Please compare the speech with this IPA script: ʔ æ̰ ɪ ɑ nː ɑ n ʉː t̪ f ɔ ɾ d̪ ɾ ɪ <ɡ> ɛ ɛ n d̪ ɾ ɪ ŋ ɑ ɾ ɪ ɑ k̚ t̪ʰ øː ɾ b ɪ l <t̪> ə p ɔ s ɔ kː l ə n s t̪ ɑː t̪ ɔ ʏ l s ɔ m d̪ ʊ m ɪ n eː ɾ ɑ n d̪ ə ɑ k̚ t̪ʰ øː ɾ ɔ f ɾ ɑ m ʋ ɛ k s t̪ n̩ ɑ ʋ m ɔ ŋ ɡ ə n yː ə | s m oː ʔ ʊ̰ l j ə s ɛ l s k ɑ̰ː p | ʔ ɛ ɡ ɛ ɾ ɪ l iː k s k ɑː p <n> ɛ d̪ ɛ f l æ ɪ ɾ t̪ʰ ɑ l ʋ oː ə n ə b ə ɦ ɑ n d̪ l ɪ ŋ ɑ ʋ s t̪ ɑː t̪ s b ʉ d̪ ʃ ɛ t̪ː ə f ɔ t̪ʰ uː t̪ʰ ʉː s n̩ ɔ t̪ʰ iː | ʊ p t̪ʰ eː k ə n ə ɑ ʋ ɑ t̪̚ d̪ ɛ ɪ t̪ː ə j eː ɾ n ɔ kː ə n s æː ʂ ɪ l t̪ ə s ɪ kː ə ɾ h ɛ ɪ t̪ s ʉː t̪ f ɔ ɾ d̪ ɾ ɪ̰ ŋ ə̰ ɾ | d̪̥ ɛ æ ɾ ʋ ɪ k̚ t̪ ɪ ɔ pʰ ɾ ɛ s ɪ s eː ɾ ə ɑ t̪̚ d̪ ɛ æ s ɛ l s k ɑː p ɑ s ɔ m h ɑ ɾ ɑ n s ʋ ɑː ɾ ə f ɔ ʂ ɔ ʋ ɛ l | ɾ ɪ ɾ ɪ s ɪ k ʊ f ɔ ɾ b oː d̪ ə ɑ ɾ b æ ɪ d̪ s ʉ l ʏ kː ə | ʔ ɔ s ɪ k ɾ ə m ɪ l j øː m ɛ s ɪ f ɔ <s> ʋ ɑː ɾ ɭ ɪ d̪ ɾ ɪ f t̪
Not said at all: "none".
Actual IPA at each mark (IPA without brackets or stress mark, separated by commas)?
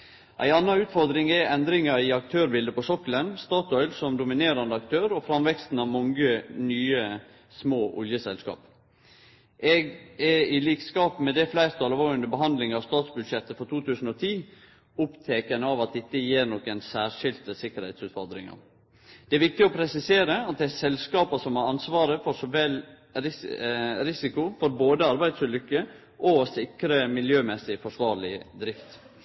ŋ, d̪, m, ʂ